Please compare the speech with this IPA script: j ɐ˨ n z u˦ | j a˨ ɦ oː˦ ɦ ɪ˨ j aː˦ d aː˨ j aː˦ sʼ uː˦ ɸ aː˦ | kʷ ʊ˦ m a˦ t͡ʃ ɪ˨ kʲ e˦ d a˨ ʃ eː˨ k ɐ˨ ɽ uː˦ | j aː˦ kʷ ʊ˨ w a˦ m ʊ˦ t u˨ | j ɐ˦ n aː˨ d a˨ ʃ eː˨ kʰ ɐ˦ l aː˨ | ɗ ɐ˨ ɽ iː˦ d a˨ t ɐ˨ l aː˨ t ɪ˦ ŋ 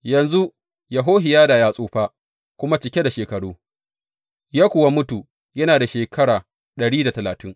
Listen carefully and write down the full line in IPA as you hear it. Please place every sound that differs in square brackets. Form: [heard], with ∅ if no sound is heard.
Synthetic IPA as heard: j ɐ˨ n z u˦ | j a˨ ɦ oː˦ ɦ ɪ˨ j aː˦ d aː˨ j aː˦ sʼ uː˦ ɸ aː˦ | kʷ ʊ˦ m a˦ t͡ʃ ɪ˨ kʲ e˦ d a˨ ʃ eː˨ k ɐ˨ ɽ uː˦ | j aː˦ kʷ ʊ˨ w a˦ m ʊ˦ t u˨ | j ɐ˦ n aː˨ d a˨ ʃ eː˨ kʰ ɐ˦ [ɽ] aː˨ | ɗ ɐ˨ ɽ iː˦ d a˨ t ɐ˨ l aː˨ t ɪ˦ ŋ